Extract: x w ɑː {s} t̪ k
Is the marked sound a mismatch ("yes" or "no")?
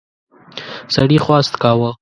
no